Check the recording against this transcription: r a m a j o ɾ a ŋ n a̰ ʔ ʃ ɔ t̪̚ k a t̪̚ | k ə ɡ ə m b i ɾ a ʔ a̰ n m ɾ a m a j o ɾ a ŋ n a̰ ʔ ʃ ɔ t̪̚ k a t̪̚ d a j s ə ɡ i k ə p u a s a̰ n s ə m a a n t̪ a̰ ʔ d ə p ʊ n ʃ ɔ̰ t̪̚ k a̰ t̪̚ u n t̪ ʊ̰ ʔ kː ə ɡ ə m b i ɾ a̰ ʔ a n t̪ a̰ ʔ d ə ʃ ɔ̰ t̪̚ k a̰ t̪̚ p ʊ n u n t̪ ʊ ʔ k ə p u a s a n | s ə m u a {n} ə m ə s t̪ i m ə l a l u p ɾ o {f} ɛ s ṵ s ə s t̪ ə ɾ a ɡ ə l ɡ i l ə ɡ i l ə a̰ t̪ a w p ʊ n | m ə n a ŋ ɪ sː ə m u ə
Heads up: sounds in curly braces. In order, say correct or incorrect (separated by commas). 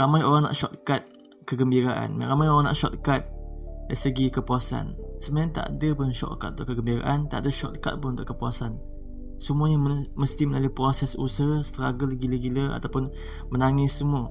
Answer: incorrect, incorrect